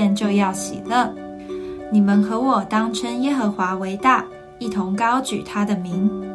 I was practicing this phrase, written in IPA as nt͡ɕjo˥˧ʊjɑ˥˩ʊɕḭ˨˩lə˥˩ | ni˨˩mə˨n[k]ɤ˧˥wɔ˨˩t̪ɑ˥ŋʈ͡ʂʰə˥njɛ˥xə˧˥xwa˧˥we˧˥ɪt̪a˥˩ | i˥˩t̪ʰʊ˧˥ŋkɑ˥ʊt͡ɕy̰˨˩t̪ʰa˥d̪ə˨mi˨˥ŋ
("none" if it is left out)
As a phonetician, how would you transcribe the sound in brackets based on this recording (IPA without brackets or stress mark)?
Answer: x